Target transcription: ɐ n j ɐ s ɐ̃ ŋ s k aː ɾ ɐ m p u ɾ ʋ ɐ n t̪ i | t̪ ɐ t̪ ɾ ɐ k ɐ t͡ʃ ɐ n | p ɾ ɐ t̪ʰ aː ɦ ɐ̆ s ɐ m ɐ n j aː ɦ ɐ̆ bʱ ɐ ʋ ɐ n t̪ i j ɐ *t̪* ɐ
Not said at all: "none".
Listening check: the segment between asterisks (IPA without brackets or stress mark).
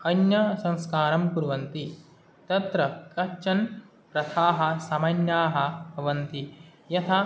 t̪ʰ